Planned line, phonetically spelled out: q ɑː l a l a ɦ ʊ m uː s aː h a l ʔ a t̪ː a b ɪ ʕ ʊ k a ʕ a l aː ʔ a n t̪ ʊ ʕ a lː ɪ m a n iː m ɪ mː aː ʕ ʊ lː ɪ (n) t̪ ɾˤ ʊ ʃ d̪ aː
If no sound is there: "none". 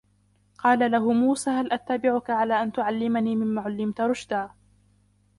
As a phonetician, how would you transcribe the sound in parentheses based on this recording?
m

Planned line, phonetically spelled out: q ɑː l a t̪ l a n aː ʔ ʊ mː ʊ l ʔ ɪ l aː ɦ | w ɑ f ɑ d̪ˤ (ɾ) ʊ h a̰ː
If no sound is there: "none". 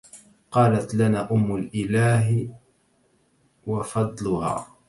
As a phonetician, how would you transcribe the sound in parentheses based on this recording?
l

